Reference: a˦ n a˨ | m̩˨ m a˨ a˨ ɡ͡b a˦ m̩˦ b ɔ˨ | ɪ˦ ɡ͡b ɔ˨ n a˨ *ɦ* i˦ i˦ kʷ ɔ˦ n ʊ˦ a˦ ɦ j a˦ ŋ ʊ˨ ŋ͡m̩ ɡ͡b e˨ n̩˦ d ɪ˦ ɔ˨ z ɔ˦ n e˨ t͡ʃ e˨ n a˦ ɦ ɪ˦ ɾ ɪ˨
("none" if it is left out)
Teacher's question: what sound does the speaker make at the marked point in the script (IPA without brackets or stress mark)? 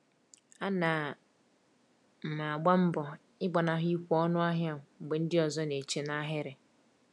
ɦ